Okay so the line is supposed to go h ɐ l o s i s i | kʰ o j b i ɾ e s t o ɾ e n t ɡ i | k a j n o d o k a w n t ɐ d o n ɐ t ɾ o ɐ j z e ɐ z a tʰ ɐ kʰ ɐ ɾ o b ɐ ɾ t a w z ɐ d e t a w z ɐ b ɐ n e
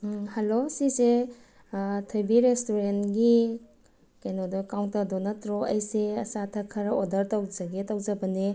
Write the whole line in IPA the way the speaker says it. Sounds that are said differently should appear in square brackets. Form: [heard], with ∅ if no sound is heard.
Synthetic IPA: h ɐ l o s i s [e] | [tʰ] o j b i ɾ e s t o ɾ e n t ɡ i | k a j n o d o k a w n t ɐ d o n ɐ t ɾ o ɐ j [s] e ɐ [s] a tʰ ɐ kʰ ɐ ɾ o [d] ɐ ɾ t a w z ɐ [ɡ] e t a w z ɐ b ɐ n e